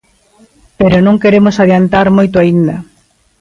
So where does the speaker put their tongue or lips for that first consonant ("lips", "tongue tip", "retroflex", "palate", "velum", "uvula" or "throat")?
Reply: lips